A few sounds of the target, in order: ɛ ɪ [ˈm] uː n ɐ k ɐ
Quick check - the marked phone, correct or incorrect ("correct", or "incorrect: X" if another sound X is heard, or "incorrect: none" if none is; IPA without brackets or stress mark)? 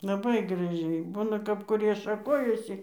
incorrect: b